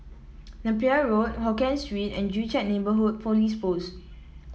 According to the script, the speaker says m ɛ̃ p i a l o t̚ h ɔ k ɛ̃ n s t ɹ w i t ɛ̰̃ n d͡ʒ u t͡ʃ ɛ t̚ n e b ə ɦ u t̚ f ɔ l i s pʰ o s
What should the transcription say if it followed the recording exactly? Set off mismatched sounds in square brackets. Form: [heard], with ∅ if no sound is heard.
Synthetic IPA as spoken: [n] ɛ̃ p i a [ɹ] o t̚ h ɔ k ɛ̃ n s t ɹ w i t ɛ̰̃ n d͡ʒ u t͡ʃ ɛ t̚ n e b ə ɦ u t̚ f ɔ l i s [p] o s